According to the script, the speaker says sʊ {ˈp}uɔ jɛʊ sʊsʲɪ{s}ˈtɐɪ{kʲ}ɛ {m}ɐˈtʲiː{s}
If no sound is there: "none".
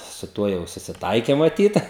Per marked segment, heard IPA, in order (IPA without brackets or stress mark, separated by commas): t, none, kʲ, m, t